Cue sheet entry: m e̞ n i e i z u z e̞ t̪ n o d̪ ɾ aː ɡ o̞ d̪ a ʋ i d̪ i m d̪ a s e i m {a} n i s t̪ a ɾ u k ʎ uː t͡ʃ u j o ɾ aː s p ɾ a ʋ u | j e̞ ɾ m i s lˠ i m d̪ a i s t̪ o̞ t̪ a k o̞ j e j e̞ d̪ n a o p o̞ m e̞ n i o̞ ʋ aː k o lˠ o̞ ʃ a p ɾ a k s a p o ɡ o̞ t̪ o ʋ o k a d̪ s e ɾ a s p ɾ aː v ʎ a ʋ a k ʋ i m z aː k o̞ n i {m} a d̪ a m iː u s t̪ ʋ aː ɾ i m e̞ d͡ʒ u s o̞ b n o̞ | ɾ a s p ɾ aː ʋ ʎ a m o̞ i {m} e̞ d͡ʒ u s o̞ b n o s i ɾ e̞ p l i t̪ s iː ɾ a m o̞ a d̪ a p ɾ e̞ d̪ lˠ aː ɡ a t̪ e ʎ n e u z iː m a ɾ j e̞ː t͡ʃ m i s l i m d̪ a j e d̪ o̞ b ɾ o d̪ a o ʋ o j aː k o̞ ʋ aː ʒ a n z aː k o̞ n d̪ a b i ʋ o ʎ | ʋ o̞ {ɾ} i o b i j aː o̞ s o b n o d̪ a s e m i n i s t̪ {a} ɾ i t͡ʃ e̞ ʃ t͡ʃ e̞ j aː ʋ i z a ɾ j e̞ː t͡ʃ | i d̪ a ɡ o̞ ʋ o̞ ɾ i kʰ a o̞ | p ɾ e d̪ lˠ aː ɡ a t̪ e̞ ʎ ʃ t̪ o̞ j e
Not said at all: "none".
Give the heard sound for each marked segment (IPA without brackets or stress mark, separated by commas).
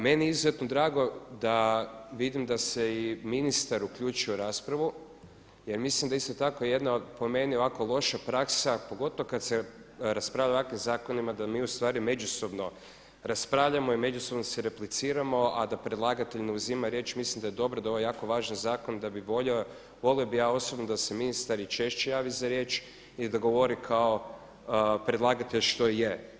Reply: i, m, m, l, a